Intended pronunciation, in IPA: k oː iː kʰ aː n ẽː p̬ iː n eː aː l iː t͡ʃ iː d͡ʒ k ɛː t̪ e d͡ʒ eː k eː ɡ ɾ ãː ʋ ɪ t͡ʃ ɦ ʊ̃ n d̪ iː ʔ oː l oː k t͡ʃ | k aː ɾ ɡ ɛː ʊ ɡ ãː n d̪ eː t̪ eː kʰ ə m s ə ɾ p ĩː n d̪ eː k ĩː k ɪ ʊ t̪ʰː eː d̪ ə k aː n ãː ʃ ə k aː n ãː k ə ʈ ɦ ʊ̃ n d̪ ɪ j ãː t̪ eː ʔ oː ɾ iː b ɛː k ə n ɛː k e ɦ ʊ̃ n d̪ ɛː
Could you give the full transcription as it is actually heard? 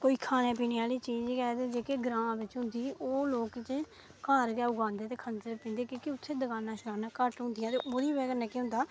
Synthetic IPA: k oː iː kʰ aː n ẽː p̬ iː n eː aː l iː t͡ʃ iː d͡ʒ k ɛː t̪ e d͡ʒ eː k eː ɡ ɾ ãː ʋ ɪ t͡ʃ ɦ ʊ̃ n d̪ iː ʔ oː l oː k t͡ʃ | k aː ɾ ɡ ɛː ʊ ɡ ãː n d̪ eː t̪ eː kʰ ə n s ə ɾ p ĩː n d̪ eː k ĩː k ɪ ʊ t̪ʰː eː d̪ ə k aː n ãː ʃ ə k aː n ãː k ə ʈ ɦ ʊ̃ n d̪ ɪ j ãː t̪ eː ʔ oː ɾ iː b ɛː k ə n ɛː k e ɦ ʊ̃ n d̪ aː